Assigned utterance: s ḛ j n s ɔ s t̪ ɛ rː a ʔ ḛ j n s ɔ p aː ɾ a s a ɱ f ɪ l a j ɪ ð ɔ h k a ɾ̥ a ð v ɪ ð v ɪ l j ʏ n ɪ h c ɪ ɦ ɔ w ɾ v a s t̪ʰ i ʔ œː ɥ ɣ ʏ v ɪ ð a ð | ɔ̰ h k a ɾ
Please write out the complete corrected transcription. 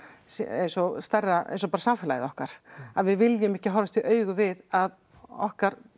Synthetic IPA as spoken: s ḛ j n s ɔ s t̪ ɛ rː a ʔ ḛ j n s ɔ p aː ɾ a s a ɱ f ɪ l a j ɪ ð ɔ h k a ɾ̥ a ð v ɪ ð v ɪ l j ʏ m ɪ h c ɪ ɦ ɔ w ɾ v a s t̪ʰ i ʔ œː ɥ ɣ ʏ v ɪ ð a ð | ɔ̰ h k a ɾ